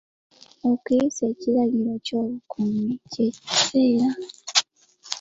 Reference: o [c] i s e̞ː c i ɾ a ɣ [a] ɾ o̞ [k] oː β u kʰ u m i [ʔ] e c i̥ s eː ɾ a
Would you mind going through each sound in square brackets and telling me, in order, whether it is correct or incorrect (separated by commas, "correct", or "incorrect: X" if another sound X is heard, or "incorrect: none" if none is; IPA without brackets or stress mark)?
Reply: incorrect: k, incorrect: i, incorrect: c, incorrect: c